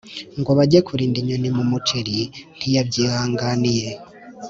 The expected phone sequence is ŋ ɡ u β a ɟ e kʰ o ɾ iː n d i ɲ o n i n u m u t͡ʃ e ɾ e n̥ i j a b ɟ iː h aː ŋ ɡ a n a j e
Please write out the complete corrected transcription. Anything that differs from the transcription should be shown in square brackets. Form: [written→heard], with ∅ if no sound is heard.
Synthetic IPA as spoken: ŋ ɡ [u→o] β a ɟ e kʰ [o→u] ɾ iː n d i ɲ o n i [n→m] u m u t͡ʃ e ɾ [e→i] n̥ i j a b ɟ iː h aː ŋ ɡ a n [a→i] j e